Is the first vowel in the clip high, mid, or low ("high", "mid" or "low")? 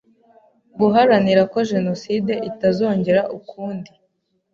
high